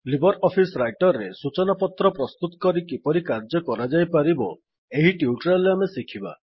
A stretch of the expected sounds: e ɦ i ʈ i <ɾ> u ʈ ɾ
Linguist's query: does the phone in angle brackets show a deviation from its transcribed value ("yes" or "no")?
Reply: yes